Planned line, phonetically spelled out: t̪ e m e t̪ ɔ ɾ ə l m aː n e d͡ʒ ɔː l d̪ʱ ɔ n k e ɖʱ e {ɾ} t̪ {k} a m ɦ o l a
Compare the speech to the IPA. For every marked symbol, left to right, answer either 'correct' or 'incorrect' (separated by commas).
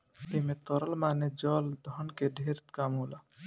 correct, correct